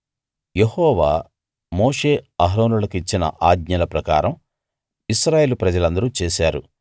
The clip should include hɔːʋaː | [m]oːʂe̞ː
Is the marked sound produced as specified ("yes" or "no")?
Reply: yes